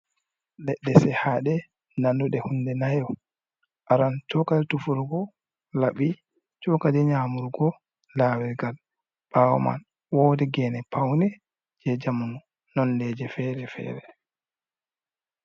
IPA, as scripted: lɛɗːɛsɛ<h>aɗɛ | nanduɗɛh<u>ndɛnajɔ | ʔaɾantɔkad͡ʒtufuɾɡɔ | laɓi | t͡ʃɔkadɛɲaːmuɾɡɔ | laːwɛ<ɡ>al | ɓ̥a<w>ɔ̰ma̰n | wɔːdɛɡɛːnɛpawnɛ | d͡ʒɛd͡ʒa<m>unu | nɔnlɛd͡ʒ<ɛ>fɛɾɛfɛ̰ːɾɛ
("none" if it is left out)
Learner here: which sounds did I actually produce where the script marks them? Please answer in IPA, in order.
h, u, ɡ, w, m, ɛ

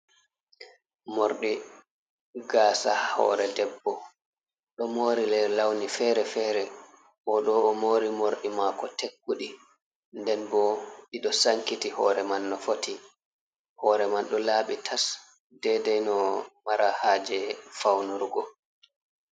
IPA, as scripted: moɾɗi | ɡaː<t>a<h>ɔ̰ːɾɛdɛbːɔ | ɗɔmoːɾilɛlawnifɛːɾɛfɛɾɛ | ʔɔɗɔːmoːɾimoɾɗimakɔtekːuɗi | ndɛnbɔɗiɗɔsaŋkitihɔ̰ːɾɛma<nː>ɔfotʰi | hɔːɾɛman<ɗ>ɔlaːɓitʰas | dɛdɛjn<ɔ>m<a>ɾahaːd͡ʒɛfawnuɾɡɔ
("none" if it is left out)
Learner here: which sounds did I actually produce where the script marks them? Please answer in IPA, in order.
s, h, nː, ɗ, ɔ, a

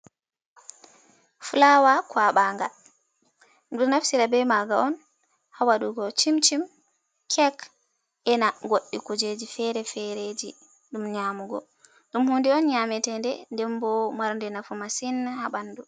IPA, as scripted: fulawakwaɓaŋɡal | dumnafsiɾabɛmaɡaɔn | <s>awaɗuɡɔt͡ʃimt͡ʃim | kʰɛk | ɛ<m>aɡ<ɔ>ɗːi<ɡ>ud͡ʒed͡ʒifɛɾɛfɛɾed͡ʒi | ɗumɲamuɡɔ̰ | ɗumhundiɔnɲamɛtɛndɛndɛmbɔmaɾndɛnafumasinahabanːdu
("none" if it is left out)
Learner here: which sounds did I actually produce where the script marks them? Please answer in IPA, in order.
h, n, o, k

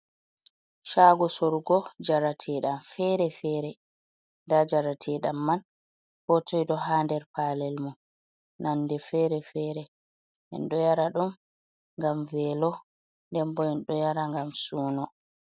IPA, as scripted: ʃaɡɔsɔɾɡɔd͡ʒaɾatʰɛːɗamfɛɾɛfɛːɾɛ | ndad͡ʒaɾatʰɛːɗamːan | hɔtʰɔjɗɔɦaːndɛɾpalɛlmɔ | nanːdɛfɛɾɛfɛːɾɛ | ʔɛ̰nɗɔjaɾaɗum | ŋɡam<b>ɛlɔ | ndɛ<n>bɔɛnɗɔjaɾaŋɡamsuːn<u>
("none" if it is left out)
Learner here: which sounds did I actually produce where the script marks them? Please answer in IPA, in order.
v, m, ɔ

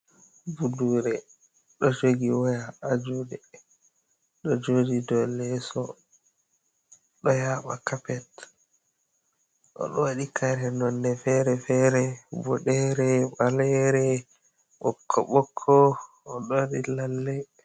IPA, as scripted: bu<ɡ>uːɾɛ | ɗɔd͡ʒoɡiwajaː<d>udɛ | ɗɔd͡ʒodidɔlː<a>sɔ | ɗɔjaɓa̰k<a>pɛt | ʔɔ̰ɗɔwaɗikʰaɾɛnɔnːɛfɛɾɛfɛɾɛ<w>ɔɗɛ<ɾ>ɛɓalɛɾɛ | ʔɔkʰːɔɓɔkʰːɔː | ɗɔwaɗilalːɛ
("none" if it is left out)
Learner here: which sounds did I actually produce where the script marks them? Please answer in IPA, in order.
d, d͡ʒ, ɛ, a, b, ɾ

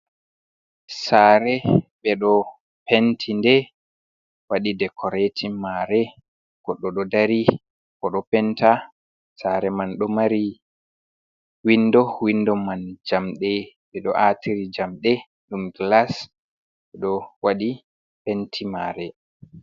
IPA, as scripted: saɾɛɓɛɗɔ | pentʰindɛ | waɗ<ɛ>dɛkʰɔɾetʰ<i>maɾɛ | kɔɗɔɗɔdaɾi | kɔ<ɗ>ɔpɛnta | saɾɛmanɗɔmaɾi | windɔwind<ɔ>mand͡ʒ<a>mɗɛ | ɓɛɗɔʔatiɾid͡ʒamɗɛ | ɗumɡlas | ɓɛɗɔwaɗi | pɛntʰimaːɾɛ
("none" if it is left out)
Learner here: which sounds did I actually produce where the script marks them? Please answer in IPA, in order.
i, i, ɗ, ɔ, a

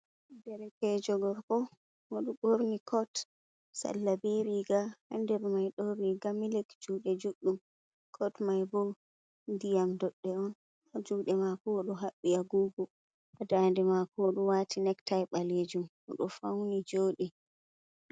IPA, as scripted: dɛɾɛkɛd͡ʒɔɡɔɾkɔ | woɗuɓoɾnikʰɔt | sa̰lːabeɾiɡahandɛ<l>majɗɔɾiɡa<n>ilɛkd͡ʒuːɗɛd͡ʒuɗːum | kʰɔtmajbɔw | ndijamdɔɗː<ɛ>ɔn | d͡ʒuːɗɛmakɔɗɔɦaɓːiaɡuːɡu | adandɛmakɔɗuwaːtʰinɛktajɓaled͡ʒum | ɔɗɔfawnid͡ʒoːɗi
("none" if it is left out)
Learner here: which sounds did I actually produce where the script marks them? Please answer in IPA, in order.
ɾ, m, ɛ

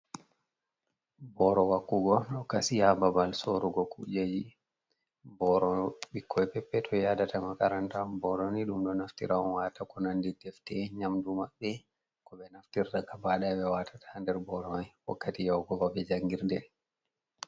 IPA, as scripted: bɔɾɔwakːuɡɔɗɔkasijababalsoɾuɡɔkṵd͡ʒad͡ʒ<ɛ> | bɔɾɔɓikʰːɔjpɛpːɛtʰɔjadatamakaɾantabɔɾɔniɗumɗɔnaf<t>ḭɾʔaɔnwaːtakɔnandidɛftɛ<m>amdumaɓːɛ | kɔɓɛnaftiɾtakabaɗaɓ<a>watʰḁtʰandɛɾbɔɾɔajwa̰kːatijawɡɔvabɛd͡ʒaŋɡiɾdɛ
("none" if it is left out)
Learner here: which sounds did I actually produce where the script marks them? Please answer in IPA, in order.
i, t, ɲ, ɛ

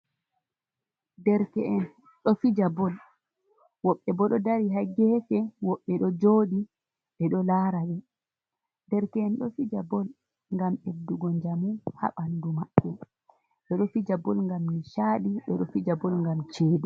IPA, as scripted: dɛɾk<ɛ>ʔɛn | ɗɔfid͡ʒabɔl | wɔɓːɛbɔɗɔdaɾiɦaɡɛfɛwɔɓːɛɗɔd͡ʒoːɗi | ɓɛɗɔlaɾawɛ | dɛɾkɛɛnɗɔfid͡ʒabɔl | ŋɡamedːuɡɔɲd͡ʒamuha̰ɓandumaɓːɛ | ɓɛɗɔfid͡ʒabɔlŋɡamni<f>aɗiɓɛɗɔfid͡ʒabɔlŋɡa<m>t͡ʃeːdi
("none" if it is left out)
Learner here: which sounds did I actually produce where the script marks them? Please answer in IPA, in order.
ɛ, ʃ, m

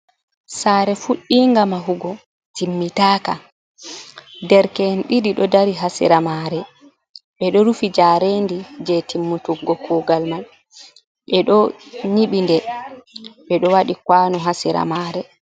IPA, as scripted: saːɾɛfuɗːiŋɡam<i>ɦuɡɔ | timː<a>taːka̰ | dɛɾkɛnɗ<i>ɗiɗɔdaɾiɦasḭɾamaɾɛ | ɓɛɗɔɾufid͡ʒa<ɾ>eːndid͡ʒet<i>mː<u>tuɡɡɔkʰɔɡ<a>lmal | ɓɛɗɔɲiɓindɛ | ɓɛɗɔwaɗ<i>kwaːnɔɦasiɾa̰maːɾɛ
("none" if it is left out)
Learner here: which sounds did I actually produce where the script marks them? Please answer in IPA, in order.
a, i, i, ɾ, i, u, a, i

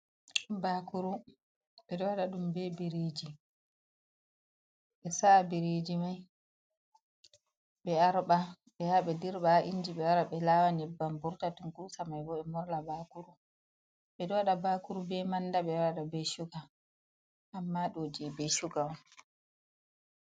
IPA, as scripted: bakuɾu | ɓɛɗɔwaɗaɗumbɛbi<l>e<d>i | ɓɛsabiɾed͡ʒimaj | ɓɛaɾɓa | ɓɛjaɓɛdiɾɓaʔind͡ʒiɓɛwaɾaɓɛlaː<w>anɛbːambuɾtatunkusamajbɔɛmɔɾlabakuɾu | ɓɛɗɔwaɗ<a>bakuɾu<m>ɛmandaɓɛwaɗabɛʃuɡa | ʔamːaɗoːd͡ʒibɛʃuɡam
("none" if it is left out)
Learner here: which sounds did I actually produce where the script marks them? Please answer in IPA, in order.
ɾ, d͡ʒ, w, a, b

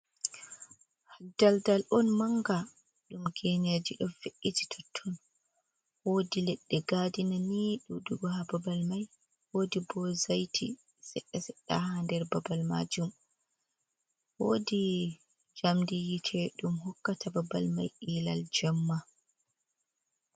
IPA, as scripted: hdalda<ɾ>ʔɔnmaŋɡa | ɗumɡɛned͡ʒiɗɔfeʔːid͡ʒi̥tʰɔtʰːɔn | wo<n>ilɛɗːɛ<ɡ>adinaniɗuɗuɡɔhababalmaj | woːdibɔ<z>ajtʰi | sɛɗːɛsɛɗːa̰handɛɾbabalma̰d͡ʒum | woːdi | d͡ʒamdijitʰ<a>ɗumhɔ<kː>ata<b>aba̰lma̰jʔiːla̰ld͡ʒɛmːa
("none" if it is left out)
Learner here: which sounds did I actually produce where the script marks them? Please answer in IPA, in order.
l, d, ɡ, z, ɛ, kː, b

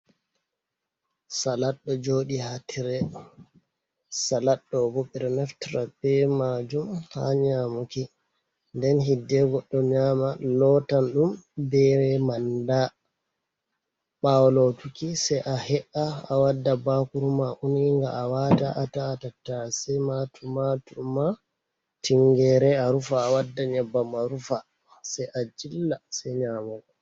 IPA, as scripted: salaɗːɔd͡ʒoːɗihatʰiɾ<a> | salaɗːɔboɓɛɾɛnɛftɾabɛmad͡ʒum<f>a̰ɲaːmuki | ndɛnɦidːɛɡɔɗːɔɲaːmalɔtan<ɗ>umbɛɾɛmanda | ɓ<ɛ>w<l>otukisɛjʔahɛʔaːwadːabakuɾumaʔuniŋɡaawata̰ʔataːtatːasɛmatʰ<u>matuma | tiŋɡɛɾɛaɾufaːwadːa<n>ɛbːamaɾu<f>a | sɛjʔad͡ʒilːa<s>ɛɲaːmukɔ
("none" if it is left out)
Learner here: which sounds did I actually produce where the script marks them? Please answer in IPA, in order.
ɛ, h, ɗ, a, l, u, ɲ, f, s

